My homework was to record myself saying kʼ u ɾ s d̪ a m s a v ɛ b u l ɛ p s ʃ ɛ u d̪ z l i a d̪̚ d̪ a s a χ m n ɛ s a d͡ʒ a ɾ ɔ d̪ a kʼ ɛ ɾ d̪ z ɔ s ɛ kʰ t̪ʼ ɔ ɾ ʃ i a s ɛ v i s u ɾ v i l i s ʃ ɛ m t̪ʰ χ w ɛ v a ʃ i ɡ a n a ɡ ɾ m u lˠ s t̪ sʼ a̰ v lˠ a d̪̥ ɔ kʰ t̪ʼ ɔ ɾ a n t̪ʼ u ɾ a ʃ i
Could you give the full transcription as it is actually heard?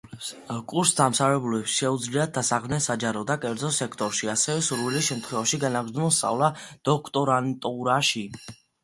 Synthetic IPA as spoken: kʼ u ɾ s d̪ a m s a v ɛ b u l ɛ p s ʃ ɛ u d̪ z l i a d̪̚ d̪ a s a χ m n ɛ s a d͡ʒ a ɾ ɔ d̪ a kʼ ɛ ɾ d̪ z ɔ s ɛ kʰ t̪ʼ ɔ ɾ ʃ i a s ɛ v ɛ s u ɾ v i l i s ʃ ɛ m t̪ʰ χ w ɛ v a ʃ i ɡ a n a ɡ ɾ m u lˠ s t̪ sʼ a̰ v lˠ a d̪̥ ɔ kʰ t̪ʼ ɔ ɾ a n t̪ʼ u ɾ a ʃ i